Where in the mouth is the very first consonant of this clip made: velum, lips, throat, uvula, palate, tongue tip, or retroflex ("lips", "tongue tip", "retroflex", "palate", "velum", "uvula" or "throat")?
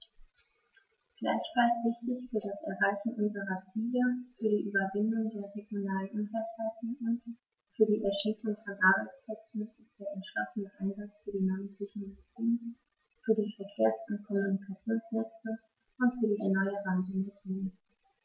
velum